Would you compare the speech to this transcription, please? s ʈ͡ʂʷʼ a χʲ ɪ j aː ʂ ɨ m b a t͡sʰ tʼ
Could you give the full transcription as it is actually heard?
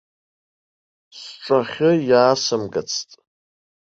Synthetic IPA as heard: s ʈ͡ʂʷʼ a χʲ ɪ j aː s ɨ m ɡ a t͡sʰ tʼ